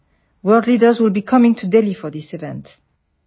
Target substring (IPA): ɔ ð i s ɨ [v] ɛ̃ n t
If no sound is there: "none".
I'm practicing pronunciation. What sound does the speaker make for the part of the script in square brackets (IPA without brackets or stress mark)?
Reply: v